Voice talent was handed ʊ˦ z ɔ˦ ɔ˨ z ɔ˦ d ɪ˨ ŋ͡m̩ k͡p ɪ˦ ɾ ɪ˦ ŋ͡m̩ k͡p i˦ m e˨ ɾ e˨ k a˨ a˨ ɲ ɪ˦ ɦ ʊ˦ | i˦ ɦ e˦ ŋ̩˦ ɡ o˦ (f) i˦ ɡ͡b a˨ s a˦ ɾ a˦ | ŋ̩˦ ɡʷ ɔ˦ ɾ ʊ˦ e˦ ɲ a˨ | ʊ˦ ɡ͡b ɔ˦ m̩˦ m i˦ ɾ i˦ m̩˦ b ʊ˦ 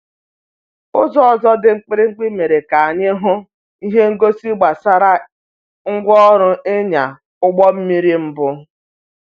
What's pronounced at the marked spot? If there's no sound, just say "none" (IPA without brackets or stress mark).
s